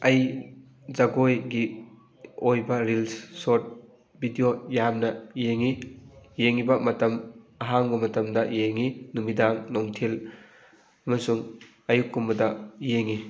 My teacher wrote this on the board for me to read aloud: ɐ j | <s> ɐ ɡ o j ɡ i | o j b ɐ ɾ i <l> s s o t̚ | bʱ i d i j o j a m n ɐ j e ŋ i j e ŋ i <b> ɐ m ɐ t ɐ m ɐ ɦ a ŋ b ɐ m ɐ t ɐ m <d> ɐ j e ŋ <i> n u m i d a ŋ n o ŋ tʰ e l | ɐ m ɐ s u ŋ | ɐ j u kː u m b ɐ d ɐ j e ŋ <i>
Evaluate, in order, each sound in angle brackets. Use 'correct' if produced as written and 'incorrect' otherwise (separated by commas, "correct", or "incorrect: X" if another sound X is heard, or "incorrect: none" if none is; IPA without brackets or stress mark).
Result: incorrect: z, correct, correct, correct, correct, correct